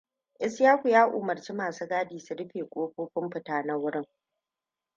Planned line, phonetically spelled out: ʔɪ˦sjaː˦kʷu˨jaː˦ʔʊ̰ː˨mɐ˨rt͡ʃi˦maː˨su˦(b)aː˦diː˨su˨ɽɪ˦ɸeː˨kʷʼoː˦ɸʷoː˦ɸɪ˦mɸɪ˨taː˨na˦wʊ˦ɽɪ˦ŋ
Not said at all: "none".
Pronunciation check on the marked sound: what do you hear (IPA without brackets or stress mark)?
ɡ